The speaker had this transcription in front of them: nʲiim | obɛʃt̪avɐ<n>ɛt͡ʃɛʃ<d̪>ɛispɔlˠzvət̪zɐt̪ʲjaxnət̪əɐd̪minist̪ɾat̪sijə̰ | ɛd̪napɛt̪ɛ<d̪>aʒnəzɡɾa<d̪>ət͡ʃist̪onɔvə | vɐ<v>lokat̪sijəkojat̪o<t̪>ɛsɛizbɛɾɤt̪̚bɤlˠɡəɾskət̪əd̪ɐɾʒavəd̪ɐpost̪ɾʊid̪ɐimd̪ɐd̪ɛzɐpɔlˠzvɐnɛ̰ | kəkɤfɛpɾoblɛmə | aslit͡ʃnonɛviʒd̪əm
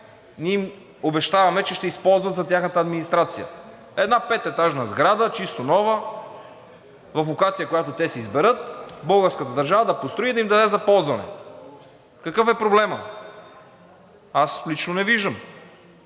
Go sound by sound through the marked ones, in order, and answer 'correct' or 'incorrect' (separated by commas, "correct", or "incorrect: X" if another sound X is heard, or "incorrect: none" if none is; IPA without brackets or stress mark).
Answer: incorrect: m, incorrect: t̪, incorrect: t̪, correct, incorrect: f, correct